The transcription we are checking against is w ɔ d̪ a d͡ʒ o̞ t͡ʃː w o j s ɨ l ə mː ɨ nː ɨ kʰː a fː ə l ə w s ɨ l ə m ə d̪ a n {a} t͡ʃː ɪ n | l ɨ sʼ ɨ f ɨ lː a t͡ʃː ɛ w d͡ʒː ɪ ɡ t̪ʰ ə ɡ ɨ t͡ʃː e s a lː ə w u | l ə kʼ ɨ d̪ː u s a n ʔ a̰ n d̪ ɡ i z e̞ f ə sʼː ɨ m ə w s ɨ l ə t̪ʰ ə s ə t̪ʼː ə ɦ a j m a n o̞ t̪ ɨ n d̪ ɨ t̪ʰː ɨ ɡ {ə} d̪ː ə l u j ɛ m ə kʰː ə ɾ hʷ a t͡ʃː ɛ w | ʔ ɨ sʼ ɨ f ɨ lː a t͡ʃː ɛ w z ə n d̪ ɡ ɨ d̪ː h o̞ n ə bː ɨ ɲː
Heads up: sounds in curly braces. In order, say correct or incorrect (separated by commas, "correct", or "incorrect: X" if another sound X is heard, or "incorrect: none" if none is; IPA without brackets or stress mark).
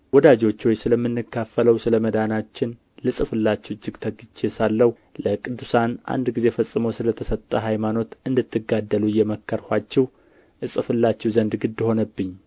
correct, incorrect: a